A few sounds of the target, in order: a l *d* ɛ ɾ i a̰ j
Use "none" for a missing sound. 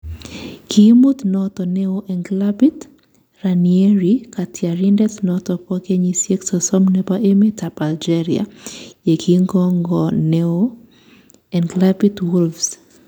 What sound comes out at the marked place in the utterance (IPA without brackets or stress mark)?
d͡ʒ